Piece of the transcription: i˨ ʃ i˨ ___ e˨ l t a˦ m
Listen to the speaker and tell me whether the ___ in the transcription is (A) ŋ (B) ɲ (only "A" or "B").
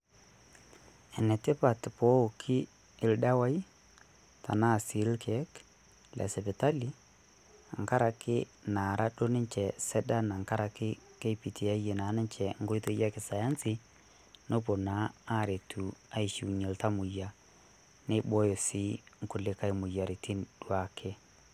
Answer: B